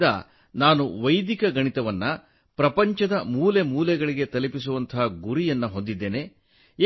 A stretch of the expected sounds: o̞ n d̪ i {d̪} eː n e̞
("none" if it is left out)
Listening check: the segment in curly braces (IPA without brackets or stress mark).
d̪ː